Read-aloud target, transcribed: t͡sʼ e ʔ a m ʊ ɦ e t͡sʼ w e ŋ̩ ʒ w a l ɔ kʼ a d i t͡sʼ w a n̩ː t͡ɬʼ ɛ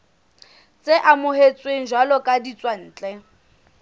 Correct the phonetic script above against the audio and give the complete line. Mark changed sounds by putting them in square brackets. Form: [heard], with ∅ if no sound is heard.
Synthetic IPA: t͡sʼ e ʔ a m ʊ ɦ e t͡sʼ w e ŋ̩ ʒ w a l ɔ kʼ a d i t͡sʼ w a n̩ː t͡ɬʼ ɛ